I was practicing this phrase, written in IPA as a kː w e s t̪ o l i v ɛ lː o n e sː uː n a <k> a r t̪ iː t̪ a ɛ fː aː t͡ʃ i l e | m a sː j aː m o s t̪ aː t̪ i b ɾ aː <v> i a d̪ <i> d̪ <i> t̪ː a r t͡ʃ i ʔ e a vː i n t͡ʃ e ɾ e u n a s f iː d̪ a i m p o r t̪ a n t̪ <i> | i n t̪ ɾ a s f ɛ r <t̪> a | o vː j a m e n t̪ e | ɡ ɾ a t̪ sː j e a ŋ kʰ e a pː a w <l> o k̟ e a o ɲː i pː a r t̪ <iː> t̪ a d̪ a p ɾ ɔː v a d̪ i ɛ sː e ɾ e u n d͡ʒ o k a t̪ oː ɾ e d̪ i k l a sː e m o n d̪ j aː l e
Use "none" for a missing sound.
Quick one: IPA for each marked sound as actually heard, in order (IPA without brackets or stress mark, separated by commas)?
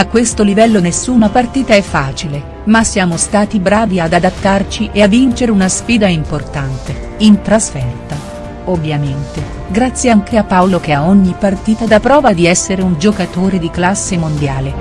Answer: p, v, a, a, e, t̪, l, iː